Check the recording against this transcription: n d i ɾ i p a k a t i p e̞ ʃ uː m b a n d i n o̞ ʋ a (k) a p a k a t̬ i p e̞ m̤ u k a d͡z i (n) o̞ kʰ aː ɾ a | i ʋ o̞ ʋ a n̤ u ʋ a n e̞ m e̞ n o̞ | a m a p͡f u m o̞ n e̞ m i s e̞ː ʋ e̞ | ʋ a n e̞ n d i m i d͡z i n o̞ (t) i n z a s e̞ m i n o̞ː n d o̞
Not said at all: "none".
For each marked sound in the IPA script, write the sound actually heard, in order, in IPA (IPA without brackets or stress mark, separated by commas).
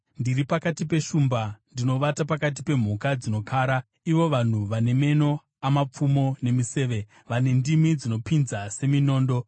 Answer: t, n, p